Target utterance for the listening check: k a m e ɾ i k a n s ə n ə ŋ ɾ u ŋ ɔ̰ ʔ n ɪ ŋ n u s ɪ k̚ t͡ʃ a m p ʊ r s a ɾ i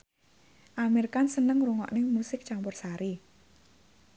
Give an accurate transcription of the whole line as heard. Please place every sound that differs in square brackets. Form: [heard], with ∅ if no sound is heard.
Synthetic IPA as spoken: [ʔ] a m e ɾ i k a n s ə n ə ŋ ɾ u ŋ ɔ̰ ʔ n ɪ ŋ [m] u s ɪ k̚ t͡ʃ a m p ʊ r s a ɾ i